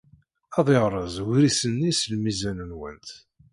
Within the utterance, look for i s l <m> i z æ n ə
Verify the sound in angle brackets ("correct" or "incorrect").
correct